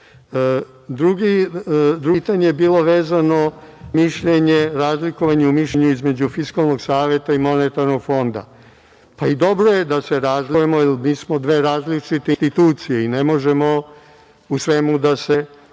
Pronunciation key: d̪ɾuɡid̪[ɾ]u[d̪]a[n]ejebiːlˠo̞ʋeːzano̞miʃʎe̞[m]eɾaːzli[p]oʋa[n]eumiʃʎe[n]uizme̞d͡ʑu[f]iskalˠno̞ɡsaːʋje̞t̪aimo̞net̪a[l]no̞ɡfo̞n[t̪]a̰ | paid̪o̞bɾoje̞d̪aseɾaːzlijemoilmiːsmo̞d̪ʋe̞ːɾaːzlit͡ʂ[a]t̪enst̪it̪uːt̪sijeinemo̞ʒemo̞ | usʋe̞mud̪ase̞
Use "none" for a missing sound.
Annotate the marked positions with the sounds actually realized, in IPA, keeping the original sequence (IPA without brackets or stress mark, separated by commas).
ɾ, t̪, ɲ, ɲ, k, ɲ, ɲ, f, ɾ, d̪, i